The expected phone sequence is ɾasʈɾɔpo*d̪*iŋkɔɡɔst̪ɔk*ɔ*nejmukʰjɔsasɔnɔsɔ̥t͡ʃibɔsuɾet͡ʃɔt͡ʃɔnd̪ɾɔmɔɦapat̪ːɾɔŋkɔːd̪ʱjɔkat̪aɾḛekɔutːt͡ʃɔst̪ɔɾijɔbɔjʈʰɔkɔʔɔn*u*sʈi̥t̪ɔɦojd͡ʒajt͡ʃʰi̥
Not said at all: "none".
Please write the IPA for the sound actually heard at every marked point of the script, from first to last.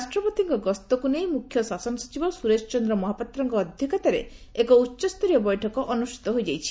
t̪, u, u

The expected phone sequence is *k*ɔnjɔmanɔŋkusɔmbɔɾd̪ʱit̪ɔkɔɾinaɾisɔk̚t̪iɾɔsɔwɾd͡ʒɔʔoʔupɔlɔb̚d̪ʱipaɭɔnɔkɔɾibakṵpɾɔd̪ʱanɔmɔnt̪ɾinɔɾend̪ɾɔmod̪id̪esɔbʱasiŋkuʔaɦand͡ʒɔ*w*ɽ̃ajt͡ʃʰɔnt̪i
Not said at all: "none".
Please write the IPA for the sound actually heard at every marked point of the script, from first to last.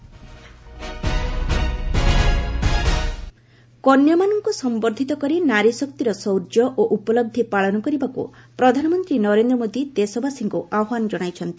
k, none

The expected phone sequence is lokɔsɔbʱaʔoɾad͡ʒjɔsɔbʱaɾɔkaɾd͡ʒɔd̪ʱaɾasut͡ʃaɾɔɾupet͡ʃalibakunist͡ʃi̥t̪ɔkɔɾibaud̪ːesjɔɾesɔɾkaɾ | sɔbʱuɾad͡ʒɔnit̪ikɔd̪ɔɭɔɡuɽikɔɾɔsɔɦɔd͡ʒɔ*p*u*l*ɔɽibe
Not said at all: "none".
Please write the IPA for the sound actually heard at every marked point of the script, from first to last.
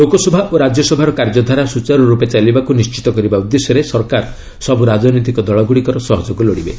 k, l

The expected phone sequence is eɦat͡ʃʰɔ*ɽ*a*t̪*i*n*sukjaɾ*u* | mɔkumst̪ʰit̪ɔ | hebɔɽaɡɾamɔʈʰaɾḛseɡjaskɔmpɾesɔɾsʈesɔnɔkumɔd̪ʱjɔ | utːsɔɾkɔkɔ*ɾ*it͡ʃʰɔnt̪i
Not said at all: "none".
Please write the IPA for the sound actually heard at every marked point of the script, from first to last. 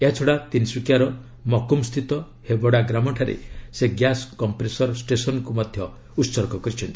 ɽ, t̪, n, ɔ, ɾ

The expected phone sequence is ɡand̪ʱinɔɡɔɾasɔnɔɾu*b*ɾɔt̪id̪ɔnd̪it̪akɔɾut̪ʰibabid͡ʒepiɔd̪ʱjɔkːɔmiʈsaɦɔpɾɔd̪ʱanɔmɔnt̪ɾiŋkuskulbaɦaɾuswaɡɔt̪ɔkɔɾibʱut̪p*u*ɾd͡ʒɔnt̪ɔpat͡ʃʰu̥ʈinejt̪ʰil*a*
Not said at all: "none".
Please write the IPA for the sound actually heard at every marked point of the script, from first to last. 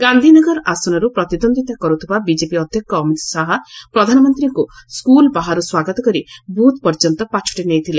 p, ɔ, e

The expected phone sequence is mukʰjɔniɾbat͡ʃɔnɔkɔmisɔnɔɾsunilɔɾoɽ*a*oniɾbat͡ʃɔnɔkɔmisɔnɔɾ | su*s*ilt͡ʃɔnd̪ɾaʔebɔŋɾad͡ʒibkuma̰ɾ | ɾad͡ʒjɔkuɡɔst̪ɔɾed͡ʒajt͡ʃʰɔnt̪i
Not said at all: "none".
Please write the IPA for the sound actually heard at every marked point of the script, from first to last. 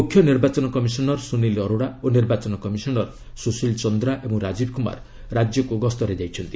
a, s

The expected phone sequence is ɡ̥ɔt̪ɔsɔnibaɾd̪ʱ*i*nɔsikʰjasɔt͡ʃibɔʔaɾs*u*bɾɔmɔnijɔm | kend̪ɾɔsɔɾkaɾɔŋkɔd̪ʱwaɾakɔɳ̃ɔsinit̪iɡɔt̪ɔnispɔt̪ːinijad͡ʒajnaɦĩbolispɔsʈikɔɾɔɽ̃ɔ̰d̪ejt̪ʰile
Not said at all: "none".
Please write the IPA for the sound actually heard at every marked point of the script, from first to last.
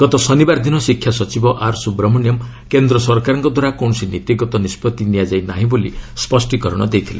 i, u

